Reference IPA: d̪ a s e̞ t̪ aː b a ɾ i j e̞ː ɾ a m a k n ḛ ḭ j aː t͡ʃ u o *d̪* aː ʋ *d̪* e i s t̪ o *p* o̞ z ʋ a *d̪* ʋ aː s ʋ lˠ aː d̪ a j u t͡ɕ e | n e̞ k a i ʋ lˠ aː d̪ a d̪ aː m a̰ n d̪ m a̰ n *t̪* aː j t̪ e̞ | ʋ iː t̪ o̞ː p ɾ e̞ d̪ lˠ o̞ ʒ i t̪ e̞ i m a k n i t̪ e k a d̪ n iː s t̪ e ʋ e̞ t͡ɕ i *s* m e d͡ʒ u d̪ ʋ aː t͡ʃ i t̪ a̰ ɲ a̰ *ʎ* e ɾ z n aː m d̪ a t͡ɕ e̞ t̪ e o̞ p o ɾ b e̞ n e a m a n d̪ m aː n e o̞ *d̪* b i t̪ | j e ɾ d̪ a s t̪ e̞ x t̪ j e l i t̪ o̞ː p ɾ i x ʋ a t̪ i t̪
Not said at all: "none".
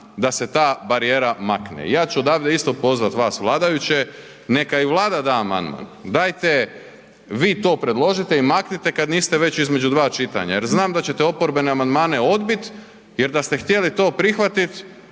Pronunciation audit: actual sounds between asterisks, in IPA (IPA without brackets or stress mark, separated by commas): d̪, d̪, p, t̪, d̪, z, j, d̪